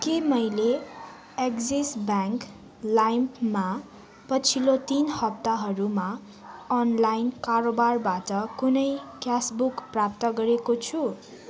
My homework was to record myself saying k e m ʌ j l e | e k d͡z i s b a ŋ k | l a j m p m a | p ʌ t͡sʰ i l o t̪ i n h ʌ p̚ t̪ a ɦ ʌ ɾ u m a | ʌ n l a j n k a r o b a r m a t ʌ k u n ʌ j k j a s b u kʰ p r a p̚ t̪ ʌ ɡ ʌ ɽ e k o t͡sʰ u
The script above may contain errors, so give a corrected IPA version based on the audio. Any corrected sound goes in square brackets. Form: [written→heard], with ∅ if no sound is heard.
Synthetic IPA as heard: k e m ʌ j l e | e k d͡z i s b a ŋ k | l a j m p m a | p ʌ t͡sʰ i l o t̪ i n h ʌ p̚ t̪ a ɦ ʌ ɾ u m a | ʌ n l a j n k a r o b a r [m→b] a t ʌ k u n ʌ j k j a s b u [kʰ→k] p r a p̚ t̪ ʌ ɡ ʌ [ɽ→ɾ] e k o t͡sʰ u

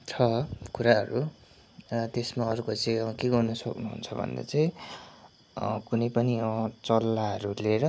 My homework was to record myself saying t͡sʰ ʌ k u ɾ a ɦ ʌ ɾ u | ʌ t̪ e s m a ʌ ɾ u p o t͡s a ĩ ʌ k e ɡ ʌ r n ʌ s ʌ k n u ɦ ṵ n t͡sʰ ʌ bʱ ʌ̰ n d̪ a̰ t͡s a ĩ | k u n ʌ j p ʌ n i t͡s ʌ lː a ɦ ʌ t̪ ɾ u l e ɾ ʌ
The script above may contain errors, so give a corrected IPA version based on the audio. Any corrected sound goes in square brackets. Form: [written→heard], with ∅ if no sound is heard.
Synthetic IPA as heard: t͡sʰ ʌ k u ɾ a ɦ ʌ ɾ u | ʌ t̪ e s m a ʌ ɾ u [p→k] o t͡s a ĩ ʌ k e ɡ ʌ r n ʌ s ʌ k n u ɦ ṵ n t͡sʰ ʌ bʱ ʌ̰ n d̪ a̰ t͡s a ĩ | k u n ʌ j p ʌ n i t͡s ʌ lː a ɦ ʌ [t̪→∅] ɾ u l e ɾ ʌ

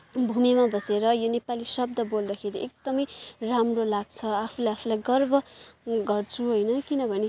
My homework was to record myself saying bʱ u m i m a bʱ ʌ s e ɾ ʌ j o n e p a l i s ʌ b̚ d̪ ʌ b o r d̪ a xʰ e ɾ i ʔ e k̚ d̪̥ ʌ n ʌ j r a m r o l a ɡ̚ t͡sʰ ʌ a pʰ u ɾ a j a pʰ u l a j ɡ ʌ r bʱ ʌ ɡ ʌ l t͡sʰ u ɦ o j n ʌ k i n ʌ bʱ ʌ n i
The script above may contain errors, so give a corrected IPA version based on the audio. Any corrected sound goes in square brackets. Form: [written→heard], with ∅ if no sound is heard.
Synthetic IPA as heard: bʱ u m i m a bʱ ʌ s e ɾ ʌ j o n e p a l i s ʌ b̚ d̪ ʌ b o [r→l] d̪ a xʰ e ɾ i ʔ e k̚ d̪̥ ʌ [n→m] ʌ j r a m r o l a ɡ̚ t͡sʰ ʌ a pʰ u [ɾ→l] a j a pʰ u l a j ɡ ʌ r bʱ ʌ ɡ ʌ [l→r] t͡sʰ u ɦ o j n ʌ k i n ʌ bʱ ʌ n [i→e]

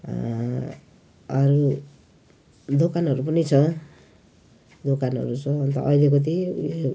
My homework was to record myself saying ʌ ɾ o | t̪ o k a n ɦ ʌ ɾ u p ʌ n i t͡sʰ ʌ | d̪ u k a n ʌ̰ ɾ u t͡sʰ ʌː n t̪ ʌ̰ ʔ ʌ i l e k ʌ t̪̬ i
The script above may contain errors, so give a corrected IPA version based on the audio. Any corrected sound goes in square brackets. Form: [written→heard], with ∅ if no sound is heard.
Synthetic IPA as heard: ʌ ɾ [o→u] | [t̪→d̪] o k a n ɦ ʌ ɾ u p ʌ n i t͡sʰ ʌ | d̪ [u→o] k a n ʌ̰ ɾ u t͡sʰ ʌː n t̪ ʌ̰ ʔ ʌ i l e k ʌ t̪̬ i

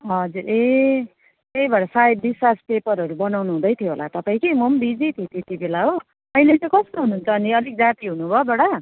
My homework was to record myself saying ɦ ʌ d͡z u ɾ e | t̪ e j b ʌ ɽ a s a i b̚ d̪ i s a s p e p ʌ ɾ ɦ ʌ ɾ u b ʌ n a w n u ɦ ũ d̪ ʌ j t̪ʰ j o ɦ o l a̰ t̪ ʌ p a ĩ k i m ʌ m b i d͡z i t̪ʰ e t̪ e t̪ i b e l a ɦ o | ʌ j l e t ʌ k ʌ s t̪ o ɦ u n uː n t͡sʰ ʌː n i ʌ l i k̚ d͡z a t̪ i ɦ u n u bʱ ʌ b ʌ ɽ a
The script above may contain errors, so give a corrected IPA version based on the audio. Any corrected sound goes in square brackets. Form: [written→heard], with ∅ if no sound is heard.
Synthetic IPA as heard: ɦ ʌ d͡z u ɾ e | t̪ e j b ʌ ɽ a s a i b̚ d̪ i s a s p e p ʌ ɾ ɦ ʌ ɾ u b ʌ n a w n u ɦ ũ d̪ ʌ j t̪ʰ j o ɦ o l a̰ t̪ ʌ p a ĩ k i m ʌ m b i d͡z i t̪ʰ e t̪ e t̪ i b e l a ɦ o | ʌ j l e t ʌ k ʌ s t̪ o ɦ u n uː n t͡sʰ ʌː n i ʌ l i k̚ d͡z a t̪ i ɦ u n u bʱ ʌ b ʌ ɽ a

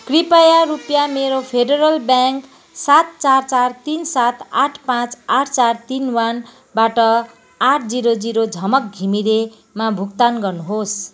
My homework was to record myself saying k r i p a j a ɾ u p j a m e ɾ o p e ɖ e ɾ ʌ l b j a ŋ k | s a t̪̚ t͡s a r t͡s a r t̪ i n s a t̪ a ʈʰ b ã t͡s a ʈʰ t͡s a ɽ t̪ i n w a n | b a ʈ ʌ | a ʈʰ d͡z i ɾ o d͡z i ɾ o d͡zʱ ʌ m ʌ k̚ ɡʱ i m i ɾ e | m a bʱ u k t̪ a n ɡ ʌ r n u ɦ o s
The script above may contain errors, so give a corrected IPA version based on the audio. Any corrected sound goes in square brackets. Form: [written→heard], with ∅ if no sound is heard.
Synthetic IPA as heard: k r i p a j a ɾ u p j a m e ɾ o [p→pʰ] e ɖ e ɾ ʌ l b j a ŋ k | s a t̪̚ t͡s a r t͡s a r t̪ i n s a t̪ a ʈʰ [b→p] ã t͡s a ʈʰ t͡s a [ɽ→r] t̪ i n w a n | b a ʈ ʌ | a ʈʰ d͡z i ɾ o d͡z i ɾ o d͡zʱ ʌ m ʌ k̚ ɡʱ i m i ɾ e | m a bʱ u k t̪ a n ɡ ʌ r n u ɦ o s

